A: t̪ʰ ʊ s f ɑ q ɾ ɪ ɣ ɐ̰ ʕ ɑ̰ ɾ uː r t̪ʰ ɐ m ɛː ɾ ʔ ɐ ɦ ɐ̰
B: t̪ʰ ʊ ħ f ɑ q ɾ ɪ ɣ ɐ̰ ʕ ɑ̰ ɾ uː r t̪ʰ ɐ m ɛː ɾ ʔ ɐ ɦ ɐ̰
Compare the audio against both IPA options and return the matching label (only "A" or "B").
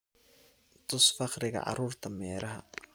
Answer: A